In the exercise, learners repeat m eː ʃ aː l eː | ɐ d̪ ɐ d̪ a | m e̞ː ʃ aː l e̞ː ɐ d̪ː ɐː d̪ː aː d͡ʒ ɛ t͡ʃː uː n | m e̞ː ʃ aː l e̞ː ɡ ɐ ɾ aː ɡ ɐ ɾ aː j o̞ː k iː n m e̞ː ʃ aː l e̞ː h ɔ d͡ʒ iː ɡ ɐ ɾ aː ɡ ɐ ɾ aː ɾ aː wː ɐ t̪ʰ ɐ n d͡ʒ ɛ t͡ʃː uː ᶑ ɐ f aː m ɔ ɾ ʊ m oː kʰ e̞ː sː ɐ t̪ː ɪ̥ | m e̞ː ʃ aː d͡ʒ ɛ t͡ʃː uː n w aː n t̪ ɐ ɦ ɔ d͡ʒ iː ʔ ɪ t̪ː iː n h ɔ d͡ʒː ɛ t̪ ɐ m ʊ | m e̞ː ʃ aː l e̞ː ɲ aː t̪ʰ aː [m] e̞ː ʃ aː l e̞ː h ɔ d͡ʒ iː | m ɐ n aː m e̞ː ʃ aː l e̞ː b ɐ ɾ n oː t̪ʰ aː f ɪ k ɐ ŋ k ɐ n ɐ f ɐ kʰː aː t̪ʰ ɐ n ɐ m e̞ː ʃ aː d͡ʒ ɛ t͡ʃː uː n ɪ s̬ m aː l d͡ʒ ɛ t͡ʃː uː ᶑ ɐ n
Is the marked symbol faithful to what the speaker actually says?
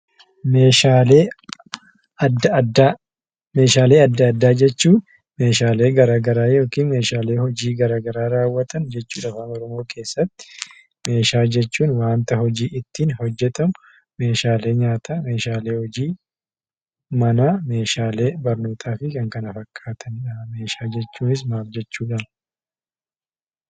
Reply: yes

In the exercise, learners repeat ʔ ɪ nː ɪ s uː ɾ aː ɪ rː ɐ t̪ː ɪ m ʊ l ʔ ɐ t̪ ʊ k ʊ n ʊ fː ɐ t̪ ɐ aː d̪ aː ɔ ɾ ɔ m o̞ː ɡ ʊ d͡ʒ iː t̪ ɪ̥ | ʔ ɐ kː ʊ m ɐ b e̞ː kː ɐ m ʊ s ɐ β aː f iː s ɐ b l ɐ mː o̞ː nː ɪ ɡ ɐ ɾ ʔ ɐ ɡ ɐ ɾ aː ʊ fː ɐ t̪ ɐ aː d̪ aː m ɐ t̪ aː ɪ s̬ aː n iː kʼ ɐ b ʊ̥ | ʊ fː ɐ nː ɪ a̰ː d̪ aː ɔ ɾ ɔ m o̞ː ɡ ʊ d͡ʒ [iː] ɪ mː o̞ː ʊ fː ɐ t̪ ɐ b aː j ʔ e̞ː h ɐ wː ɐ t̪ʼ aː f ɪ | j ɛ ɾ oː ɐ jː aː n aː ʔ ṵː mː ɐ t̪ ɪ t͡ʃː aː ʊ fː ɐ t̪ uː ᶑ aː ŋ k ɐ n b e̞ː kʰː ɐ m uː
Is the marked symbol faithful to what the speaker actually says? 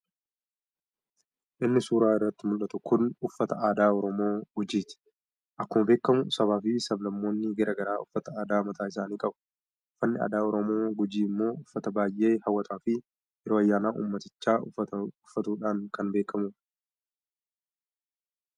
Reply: yes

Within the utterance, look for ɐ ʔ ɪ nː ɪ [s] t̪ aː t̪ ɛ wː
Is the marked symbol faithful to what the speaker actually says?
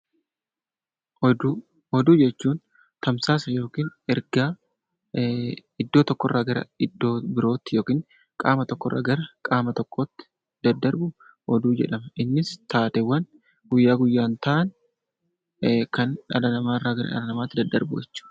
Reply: yes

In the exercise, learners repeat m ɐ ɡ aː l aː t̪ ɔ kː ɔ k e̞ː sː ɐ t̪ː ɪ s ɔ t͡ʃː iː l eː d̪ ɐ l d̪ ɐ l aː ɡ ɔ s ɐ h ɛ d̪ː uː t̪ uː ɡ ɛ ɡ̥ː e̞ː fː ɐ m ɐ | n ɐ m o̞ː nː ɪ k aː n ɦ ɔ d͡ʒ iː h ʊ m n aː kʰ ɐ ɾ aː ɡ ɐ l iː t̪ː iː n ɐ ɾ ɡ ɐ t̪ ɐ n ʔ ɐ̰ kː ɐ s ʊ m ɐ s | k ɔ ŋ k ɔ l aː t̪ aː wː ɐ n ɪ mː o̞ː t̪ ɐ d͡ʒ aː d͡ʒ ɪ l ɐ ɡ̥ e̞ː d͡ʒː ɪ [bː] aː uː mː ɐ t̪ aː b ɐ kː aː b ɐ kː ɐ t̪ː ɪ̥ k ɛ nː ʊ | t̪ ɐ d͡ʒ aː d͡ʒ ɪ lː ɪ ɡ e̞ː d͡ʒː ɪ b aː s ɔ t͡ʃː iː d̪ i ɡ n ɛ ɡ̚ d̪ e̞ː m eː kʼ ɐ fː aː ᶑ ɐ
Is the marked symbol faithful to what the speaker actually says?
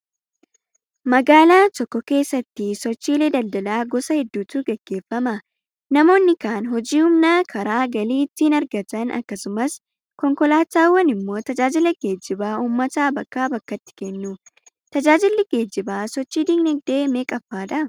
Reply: no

